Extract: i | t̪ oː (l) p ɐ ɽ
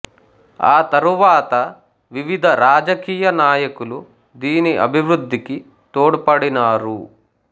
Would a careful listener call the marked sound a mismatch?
yes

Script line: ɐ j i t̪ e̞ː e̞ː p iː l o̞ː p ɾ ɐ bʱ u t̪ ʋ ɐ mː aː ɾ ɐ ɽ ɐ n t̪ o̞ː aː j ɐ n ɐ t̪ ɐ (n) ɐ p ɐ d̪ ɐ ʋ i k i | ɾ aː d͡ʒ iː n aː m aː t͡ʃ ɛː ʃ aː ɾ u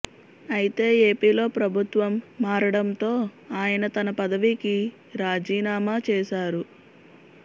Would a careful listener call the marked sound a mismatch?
no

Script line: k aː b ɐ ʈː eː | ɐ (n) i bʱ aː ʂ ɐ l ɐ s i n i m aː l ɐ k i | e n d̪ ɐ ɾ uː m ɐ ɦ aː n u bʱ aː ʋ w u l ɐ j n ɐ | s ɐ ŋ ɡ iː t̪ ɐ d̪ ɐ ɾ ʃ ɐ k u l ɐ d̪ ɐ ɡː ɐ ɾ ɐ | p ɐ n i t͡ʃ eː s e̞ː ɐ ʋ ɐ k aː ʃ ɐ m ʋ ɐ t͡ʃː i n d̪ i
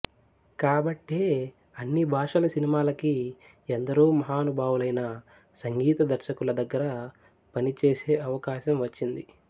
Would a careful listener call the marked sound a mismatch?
yes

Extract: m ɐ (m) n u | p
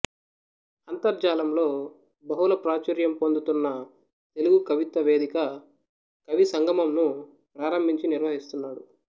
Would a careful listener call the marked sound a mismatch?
no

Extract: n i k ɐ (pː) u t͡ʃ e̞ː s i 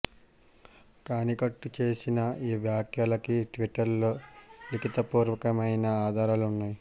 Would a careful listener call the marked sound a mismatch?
yes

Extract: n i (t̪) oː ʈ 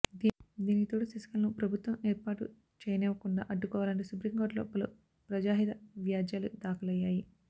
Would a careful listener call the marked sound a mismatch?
no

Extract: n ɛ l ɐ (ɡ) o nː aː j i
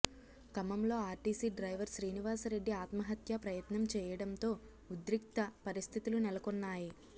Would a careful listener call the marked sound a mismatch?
yes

